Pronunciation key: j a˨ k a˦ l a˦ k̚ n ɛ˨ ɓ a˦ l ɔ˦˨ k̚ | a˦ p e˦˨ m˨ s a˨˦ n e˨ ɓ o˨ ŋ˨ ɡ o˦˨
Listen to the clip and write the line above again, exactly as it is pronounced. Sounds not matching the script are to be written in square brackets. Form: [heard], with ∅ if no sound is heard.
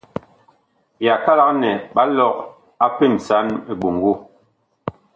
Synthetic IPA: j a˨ k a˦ l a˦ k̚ n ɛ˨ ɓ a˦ l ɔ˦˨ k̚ | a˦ p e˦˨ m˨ s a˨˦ n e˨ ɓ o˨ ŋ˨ ɡ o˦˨